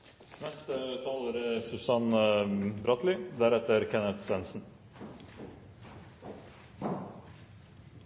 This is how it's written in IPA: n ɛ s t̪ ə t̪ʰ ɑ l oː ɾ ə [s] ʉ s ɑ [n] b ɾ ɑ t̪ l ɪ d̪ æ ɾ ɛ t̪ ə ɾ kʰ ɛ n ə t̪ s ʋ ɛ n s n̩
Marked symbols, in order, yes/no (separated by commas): yes, yes